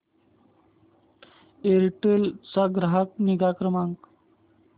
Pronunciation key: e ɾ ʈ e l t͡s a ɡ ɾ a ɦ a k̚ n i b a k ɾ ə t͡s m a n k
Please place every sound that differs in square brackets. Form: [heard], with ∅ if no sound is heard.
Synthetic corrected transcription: e ɾ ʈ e l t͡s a ɡ ɾ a ɦ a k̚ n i [ɡ] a k ɾ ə [∅] m a [ŋ] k